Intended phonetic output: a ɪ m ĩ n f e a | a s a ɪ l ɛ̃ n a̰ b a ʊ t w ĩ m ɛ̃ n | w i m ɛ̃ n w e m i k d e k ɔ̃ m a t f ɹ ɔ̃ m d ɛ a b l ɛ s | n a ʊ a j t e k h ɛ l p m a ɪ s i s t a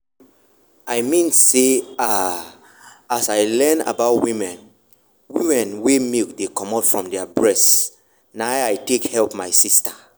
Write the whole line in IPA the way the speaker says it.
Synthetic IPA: a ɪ m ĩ n s e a | a s a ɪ l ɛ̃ n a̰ b a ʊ t w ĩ m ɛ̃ n | w i m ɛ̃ n w e m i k d e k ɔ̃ m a t f ɹ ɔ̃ m d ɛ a b ɹ ɛ s | n a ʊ a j t e k h ɛ l p m a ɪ s i s t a